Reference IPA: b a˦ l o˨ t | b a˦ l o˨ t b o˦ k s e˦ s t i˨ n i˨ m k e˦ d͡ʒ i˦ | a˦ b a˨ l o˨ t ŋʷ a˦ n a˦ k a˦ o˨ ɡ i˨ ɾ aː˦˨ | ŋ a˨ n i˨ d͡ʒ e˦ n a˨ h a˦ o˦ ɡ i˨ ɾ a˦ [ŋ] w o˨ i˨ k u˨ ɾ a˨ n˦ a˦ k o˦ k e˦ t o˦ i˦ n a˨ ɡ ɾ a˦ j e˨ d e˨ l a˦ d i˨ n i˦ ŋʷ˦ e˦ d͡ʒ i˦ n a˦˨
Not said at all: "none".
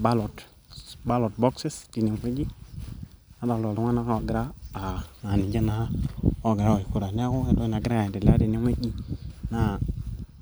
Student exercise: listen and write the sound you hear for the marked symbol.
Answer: none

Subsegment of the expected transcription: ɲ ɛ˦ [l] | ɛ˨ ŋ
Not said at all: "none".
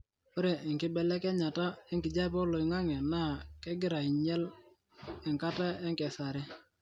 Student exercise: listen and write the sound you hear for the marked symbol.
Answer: l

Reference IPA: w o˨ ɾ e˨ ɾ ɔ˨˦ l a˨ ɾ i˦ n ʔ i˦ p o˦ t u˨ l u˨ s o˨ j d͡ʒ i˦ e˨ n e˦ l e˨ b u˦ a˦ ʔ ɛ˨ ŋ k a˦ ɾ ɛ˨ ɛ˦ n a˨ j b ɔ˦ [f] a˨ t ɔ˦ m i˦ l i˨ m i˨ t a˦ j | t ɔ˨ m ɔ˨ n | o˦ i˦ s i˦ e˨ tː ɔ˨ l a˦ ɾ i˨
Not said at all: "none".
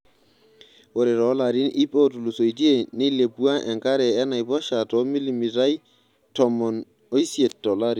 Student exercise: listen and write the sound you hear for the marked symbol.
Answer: ʃ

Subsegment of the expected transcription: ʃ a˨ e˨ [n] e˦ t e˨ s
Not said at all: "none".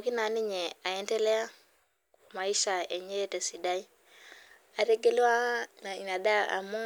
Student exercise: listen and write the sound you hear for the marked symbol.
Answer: ɲ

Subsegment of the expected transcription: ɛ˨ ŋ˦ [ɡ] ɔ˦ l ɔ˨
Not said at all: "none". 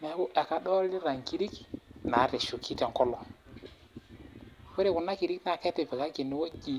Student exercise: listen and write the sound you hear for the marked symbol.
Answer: k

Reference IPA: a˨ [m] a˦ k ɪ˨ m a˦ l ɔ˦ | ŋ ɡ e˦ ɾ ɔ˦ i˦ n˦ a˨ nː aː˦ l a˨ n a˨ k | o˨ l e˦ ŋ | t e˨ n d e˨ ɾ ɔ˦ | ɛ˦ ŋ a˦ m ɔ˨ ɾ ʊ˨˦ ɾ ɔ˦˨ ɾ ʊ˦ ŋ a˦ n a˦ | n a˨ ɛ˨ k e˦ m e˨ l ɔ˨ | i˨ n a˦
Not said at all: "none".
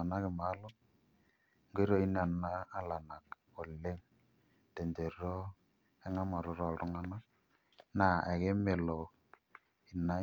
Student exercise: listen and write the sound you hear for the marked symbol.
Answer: n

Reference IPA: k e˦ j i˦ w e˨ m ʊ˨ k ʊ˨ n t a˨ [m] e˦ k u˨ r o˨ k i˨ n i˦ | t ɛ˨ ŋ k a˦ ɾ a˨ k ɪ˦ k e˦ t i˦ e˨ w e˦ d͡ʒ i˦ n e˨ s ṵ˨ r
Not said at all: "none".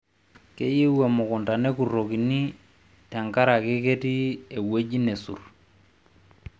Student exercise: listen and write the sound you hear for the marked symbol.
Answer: n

